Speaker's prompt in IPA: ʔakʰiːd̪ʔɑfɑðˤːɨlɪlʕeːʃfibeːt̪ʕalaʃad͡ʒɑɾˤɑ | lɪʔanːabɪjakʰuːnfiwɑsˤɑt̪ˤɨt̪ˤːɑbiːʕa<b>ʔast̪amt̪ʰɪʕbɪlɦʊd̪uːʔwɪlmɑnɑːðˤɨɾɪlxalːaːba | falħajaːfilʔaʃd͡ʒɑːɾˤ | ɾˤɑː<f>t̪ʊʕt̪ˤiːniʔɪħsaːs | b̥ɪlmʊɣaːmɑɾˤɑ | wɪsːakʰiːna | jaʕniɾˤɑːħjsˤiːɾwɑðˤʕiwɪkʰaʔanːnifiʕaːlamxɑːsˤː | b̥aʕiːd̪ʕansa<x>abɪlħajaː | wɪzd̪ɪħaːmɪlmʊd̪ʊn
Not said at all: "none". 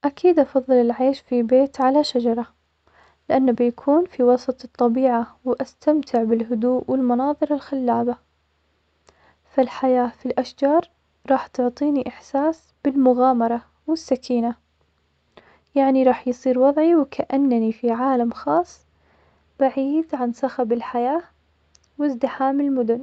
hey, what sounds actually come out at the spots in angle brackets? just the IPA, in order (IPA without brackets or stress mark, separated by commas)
w, ħ, x